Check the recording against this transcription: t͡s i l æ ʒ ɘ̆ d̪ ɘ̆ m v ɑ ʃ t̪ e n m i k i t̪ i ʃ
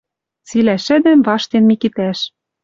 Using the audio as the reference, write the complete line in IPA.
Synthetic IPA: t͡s i l æ ʃ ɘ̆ d̪ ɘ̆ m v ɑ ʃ t̪ e n m i k i t̪ æ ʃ